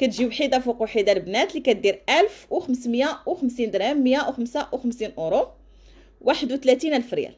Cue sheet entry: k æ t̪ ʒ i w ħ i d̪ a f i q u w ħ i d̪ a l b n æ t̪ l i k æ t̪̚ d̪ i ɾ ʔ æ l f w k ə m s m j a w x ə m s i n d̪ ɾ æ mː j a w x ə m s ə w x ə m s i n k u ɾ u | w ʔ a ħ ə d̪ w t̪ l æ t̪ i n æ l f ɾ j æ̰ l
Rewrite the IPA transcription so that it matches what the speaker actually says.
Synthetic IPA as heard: k æ t̪ ʒ i w ħ i d̪ a f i q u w ħ i d̪ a l b n æ t̪ l i k æ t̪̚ d̪ i ɾ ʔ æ l f w x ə m s m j a w x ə m s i n d̪ ɾ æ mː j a w x ə m s a w x ə m s i n ʔ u ɾ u | w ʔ a ħ ə d̪ w t̪ l æ t̪ i n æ l f ɾ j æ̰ l